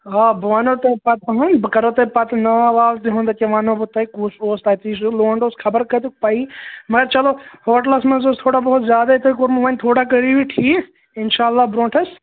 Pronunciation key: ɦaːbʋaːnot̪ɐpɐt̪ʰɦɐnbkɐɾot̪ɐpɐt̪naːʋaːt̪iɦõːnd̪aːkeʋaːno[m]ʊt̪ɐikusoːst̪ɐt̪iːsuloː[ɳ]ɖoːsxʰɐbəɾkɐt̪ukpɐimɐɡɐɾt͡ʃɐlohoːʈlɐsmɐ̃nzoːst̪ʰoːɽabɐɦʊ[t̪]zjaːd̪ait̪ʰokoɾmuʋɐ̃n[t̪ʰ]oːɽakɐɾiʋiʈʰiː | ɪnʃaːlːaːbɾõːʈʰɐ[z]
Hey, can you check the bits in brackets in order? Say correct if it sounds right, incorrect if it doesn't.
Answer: incorrect: b, correct, correct, correct, incorrect: s

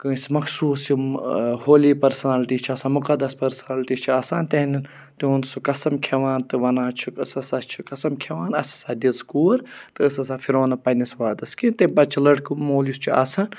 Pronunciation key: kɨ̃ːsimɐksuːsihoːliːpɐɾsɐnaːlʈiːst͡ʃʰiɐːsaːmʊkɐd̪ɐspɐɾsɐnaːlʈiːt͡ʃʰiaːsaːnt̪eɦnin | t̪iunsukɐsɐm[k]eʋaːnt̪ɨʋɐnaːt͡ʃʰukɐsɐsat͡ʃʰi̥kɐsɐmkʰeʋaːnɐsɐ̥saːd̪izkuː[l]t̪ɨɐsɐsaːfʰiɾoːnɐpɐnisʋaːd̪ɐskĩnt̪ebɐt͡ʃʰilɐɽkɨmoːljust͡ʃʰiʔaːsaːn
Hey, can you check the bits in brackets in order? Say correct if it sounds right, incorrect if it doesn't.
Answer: incorrect: kʰ, incorrect: ɾ

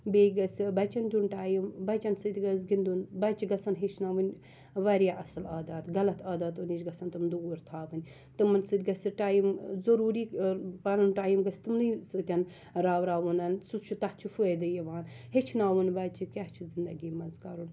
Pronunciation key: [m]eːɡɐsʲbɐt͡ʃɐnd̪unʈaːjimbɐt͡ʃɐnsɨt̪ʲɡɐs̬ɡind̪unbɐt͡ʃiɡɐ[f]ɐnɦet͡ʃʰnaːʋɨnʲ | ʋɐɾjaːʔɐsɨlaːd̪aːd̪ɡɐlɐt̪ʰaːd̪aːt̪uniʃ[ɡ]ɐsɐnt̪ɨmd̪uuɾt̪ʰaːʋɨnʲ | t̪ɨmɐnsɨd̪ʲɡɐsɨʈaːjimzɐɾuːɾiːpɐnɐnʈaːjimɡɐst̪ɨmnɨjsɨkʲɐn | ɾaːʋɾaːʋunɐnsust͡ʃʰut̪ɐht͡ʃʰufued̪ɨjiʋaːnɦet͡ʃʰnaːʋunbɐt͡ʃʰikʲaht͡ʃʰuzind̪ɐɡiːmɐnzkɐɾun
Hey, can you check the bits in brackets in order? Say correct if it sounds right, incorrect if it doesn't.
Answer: incorrect: b, incorrect: s, correct

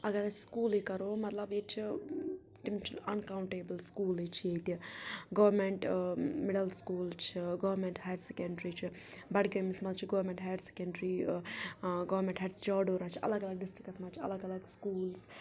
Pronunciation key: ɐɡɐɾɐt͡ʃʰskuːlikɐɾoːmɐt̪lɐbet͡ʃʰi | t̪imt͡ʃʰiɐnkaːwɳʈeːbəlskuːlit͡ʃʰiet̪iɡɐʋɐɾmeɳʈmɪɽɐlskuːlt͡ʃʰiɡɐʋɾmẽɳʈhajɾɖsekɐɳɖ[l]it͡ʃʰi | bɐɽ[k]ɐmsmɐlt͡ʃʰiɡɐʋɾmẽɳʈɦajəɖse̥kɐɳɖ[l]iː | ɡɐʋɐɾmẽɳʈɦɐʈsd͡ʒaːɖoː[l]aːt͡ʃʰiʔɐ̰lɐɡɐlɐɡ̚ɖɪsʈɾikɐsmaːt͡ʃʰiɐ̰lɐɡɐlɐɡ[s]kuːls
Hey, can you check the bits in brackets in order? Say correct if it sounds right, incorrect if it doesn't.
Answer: incorrect: ɾ, incorrect: ɡ, incorrect: ɾ, incorrect: ɾ, correct

